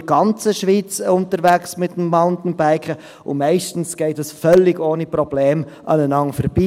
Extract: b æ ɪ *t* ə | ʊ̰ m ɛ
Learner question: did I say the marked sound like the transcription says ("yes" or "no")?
no